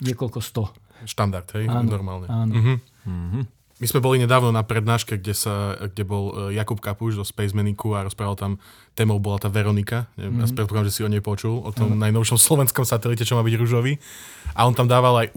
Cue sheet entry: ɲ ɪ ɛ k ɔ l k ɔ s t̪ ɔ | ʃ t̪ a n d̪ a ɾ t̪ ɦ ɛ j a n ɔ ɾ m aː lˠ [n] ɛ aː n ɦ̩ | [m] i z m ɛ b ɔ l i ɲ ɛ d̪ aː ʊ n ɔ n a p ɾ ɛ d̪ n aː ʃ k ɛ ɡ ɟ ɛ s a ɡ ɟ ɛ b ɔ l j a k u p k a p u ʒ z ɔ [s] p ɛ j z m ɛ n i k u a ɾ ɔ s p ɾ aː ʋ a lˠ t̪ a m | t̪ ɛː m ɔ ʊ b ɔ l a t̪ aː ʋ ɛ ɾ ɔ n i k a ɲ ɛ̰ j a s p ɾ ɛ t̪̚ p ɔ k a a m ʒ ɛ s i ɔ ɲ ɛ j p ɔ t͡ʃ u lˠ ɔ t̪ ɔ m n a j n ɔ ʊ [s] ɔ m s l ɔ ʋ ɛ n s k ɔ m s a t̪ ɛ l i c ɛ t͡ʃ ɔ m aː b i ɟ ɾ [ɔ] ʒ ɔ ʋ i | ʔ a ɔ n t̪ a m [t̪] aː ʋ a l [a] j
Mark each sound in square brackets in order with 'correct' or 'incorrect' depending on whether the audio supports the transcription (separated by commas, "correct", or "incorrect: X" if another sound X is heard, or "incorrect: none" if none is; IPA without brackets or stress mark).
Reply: incorrect: ɲ, correct, correct, incorrect: ʃ, incorrect: u, incorrect: d̪, correct